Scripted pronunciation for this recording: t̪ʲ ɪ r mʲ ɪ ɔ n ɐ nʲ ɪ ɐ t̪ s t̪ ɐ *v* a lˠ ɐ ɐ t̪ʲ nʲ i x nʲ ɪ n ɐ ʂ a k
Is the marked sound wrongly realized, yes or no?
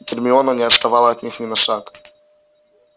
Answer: no